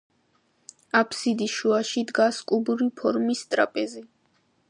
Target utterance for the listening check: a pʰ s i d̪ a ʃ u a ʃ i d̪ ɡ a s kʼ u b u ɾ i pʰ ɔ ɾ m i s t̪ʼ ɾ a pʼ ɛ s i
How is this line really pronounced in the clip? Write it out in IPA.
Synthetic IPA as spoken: a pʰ s i d̪ i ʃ u a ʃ i d̪ ɡ a s kʼ u b u ɾ i pʰ ɔ ɾ m i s t̪ʼ ɾ a pʼ ɛ z i